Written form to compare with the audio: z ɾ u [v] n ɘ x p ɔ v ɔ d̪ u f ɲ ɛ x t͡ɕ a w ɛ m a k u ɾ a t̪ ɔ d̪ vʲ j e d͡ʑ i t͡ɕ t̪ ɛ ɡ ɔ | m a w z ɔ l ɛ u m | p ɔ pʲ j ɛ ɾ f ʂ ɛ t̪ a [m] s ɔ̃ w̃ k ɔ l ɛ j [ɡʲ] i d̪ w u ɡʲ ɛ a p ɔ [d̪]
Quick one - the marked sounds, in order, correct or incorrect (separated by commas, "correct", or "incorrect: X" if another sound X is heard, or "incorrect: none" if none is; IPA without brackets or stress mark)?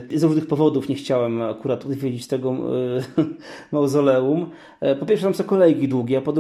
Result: incorrect: ʐ, correct, correct, correct